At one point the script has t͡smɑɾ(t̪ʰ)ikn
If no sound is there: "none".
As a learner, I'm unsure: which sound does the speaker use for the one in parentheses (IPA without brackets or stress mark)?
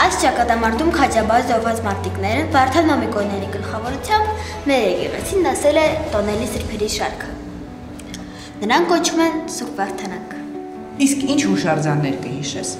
t̪